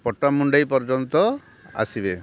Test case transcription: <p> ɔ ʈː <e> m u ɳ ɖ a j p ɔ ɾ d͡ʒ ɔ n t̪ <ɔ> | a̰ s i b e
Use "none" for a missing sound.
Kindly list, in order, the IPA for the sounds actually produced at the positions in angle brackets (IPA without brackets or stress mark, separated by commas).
p, a, ɔ